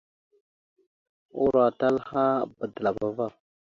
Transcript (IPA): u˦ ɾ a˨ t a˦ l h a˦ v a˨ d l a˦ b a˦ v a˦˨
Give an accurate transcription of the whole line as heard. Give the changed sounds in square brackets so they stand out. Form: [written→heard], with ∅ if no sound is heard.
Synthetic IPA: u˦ ɾ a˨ t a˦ l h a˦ [v→b] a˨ d l [a˦→a˨] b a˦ v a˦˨